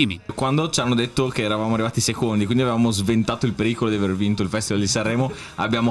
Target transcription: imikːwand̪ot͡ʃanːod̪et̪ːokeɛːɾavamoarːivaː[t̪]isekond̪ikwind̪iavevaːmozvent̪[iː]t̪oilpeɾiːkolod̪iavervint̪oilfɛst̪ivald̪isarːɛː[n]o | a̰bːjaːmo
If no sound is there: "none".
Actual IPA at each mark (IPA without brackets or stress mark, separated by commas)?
t̪, aː, m